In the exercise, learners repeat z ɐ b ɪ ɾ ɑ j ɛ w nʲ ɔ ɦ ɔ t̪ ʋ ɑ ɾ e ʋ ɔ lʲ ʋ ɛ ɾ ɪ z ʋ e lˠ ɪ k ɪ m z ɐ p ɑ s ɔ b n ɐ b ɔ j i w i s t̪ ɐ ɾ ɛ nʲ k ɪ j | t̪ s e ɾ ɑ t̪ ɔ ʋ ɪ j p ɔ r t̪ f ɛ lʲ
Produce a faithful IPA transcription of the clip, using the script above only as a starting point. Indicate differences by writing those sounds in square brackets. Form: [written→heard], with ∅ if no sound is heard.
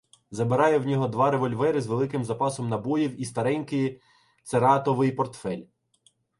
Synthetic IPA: z ɐ b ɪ ɾ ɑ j ɛ w nʲ ɔ ɦ ɔ [t̪→d̪] ʋ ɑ ɾ e ʋ ɔ lʲ ʋ ɛ ɾ ɪ z ʋ e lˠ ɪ k ɪ m z ɐ p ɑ s ɔ [b→m] n ɐ b ɔ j i w i s t̪ ɐ ɾ ɛ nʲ k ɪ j | t̪ s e ɾ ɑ t̪ ɔ ʋ ɪ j p ɔ r t̪ f ɛ lʲ